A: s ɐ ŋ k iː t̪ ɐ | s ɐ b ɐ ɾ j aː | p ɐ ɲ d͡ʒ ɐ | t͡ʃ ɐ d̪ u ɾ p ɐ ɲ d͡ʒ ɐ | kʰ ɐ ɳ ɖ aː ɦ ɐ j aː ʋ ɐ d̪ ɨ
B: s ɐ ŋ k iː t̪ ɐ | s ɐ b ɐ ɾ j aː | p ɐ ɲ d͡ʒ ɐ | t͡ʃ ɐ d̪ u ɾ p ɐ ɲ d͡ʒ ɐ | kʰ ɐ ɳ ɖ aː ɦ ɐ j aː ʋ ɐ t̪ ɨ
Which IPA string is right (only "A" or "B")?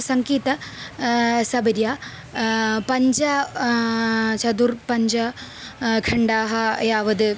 A